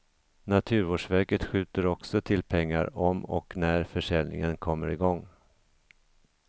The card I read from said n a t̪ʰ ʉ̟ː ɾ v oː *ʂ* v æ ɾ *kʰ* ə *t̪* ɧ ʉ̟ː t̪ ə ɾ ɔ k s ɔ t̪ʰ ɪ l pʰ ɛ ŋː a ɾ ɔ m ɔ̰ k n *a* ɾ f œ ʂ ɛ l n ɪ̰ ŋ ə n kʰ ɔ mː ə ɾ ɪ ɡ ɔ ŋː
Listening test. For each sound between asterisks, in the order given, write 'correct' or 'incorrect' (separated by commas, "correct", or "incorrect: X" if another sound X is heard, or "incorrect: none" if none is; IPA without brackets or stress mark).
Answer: correct, incorrect: k, correct, incorrect: æ